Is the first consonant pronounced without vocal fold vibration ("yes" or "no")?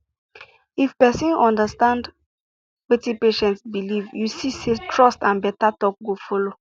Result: yes